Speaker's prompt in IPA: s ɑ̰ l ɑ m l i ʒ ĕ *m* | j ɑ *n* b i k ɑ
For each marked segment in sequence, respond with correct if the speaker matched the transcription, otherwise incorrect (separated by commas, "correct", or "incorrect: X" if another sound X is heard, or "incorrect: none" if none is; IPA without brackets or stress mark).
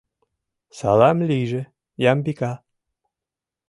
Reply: incorrect: none, incorrect: m